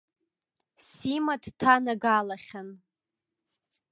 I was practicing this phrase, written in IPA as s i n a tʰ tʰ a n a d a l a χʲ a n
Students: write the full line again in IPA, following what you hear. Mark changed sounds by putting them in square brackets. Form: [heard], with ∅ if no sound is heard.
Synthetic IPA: s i [m] a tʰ tʰ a n a [ɡ] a l a χʲ a n